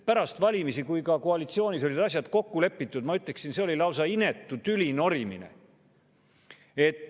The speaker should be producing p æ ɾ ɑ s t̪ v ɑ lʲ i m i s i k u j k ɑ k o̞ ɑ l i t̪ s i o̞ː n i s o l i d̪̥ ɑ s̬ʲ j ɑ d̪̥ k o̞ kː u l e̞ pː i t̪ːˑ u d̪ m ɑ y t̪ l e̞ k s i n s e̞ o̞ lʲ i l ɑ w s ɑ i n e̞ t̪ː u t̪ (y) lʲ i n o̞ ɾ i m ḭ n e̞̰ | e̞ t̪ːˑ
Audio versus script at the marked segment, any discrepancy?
no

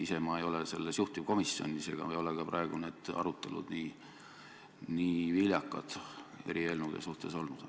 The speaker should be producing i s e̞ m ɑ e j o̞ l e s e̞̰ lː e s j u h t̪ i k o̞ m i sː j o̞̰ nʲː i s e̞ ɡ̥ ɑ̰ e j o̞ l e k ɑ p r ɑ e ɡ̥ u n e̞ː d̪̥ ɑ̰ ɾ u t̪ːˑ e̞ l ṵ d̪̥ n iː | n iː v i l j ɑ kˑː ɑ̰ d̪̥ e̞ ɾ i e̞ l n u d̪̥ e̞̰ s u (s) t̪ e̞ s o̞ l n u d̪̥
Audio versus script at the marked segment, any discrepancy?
yes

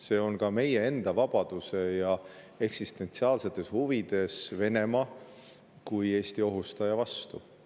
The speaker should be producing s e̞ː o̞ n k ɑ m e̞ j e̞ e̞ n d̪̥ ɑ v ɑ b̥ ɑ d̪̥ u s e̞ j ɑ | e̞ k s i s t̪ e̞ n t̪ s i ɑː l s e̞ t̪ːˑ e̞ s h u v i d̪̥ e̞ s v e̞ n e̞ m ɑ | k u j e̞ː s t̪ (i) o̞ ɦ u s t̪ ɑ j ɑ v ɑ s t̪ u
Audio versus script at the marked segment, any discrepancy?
no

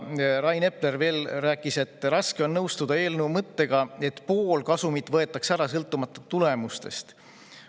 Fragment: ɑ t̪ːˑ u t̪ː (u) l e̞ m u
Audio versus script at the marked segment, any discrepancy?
no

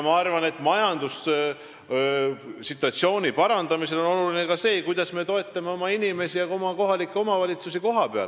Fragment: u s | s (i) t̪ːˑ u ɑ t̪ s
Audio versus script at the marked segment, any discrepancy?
no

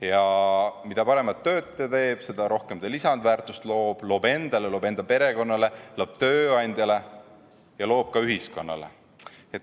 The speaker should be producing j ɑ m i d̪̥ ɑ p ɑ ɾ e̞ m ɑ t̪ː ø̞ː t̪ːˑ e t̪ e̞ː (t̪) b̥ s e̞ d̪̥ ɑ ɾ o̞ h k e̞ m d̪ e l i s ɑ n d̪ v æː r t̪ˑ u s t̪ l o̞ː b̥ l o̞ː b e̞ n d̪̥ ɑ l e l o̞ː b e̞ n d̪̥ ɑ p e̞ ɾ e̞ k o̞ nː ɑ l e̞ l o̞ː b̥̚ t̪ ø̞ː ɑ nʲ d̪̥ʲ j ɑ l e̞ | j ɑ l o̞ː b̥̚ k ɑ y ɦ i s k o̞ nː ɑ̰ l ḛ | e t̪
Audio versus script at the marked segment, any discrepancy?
yes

